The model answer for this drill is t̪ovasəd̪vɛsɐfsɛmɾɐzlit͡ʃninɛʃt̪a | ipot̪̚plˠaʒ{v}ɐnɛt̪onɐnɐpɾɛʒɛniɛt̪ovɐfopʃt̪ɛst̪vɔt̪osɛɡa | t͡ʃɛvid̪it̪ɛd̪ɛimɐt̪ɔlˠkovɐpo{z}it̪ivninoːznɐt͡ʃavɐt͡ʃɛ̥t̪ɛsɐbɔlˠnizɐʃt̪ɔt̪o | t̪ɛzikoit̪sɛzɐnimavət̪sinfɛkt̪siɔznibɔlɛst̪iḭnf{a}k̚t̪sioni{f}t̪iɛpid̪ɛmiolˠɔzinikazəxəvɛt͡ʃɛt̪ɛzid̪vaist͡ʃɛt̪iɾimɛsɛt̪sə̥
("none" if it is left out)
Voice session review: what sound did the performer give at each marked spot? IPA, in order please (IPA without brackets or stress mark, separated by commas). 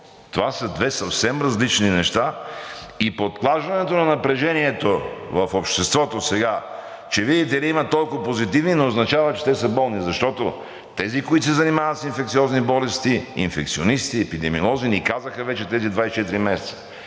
v, z, ɛ, s